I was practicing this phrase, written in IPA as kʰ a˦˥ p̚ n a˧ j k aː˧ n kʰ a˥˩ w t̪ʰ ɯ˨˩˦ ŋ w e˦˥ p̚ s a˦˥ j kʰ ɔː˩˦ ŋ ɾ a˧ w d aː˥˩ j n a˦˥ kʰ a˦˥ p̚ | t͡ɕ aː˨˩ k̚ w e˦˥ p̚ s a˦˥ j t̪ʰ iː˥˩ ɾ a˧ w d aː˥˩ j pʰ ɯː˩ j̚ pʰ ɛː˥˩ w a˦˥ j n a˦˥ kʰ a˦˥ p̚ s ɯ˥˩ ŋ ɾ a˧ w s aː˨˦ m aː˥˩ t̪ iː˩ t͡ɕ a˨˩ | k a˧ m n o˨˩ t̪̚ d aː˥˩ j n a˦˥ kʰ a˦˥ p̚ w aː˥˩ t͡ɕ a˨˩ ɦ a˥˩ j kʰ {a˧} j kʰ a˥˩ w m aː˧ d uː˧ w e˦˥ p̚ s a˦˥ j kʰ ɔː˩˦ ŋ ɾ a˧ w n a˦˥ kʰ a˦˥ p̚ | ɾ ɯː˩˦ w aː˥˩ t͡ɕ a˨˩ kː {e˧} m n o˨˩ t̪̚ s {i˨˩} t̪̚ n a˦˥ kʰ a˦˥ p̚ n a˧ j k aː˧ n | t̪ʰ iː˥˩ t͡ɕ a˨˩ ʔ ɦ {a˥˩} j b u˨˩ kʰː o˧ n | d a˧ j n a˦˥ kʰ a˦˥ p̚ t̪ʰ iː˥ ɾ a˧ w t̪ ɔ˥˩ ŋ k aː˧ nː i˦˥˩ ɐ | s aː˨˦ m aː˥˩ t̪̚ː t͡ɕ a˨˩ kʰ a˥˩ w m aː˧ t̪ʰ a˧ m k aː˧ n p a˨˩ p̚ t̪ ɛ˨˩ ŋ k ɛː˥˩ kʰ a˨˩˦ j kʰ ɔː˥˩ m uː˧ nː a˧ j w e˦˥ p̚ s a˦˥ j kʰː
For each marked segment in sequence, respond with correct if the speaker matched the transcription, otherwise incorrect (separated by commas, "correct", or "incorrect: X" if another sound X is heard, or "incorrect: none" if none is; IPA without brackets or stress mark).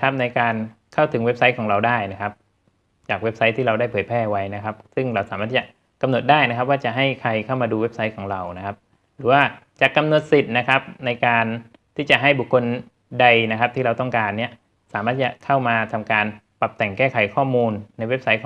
correct, incorrect: a˧, correct, correct